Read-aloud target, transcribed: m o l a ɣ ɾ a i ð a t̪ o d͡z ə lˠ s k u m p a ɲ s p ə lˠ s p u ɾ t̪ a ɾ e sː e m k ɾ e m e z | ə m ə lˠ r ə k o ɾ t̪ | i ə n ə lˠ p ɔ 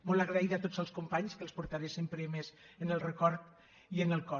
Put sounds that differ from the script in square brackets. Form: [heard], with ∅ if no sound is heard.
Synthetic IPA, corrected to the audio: m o l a ɣ ɾ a i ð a t̪ o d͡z ə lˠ s k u m p a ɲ s [k] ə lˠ s p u ɾ t̪ a ɾ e [s] e m [p] ɾ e m e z | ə [n] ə lˠ r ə k [ɔ] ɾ t̪ | i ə n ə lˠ [k] ɔ